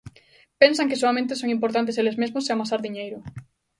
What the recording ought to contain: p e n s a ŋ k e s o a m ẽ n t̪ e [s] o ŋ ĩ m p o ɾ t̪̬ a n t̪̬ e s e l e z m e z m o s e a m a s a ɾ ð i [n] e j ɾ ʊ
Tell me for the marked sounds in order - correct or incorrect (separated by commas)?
correct, incorrect